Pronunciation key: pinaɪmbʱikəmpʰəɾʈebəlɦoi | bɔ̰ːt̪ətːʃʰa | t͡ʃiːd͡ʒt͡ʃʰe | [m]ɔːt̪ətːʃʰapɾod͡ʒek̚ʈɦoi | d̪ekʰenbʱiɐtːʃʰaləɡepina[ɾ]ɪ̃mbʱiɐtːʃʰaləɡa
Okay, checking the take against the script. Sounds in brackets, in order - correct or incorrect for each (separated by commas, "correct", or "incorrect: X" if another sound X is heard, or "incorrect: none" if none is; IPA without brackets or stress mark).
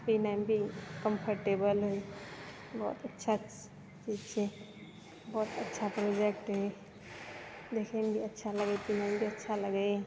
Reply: incorrect: b, incorrect: none